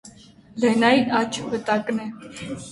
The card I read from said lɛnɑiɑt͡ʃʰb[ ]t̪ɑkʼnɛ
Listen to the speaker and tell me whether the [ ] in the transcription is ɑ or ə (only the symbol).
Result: ə